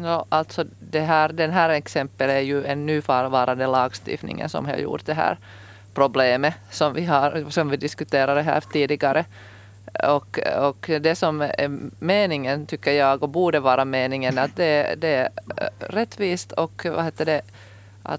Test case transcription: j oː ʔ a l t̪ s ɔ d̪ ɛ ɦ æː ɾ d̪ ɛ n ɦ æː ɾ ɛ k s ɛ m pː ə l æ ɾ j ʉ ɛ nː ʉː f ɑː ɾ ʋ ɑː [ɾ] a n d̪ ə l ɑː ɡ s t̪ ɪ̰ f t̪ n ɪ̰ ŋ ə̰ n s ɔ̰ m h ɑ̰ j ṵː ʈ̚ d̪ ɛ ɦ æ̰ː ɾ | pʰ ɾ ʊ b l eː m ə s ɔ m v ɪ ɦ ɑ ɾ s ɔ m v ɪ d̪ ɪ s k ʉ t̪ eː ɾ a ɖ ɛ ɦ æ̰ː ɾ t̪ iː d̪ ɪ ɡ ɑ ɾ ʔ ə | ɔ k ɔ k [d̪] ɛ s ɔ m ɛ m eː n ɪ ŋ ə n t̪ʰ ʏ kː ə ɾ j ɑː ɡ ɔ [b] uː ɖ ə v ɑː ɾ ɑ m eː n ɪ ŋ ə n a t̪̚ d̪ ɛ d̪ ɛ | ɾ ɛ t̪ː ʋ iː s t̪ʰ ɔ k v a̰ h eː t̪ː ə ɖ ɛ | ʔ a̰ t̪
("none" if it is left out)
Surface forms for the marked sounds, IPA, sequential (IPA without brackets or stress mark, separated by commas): ɾ, d̪, b